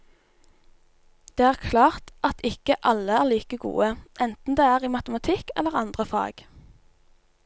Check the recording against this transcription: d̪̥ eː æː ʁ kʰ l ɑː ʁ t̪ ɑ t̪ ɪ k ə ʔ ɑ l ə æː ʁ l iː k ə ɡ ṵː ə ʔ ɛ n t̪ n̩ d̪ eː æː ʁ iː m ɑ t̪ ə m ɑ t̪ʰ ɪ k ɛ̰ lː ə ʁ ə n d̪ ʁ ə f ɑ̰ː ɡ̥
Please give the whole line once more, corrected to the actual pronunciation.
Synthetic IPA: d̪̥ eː æː ʁ kʰ l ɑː ʁ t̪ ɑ t̪ ɪ k ə ʔ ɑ l ə æː ʁ l iː k ə ɡ ṵː ə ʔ ɛ n t̪ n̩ d̪ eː æː ʁ iː m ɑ t̪ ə m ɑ t̪ʰ ɪ k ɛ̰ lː ə ʁ ɑ n d̪ ʁ ə f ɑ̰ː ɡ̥